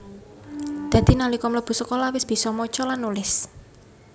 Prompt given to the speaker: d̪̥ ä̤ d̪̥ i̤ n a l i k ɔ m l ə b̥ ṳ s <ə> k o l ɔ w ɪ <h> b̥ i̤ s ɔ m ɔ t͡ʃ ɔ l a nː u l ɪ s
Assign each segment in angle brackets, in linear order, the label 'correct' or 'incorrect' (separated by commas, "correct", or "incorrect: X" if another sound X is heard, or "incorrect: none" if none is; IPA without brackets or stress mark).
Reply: correct, incorrect: s